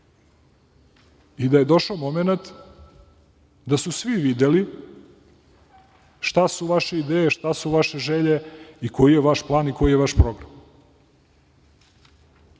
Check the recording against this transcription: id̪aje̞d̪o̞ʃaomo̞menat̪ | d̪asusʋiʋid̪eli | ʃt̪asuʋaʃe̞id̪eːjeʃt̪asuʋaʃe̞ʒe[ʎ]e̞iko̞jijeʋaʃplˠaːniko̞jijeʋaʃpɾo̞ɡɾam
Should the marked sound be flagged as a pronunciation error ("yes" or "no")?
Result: no